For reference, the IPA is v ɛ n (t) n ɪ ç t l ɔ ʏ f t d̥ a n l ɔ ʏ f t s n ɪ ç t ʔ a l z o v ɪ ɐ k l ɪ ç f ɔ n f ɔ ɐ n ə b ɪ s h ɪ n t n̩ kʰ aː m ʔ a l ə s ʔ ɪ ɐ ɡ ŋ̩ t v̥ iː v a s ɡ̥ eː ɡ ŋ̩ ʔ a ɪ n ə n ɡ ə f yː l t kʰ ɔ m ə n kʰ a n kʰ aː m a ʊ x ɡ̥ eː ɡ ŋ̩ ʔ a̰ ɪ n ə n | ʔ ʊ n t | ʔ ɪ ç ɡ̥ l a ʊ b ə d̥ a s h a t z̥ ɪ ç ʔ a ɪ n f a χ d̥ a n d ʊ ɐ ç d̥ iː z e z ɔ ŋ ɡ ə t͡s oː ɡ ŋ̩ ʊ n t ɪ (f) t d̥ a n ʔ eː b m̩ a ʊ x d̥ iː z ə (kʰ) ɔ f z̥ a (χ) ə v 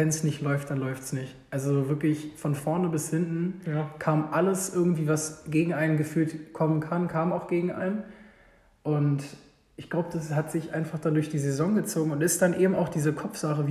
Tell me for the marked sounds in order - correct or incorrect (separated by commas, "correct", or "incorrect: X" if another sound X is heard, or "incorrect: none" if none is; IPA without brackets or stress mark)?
incorrect: s, incorrect: s, correct, correct